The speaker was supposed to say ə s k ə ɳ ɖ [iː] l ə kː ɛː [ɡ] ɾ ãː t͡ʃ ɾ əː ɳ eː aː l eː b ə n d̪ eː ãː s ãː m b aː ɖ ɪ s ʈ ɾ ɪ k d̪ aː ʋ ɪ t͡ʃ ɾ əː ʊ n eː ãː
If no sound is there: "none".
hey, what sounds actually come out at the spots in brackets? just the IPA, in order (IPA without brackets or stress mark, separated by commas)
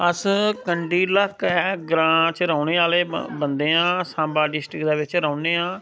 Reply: iː, ɡ